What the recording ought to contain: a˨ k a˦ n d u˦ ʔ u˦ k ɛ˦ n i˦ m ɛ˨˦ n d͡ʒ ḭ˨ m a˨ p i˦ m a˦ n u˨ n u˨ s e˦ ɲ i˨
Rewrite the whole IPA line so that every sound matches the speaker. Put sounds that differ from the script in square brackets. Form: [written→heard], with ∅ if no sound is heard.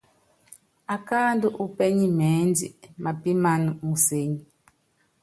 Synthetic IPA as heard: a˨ k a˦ n d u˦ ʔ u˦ [k→p] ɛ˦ [n→ɲ] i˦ m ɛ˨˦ n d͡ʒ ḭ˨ m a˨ p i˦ m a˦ n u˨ [n→m] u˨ s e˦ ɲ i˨